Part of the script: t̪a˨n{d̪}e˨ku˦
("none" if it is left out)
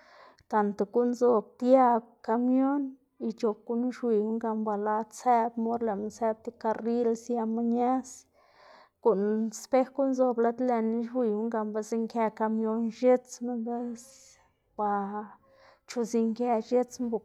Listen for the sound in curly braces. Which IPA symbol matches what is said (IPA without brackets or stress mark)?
t̪